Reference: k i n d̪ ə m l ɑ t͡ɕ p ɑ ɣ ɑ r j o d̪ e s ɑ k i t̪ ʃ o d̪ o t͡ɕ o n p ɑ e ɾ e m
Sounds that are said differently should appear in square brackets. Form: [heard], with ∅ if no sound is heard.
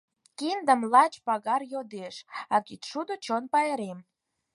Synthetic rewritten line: k i n d̪ ə m l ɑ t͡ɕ p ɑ ɣ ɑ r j o d̪ e [ʃ] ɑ k i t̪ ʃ [u] d̪ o t͡ɕ o n p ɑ e ɾ e m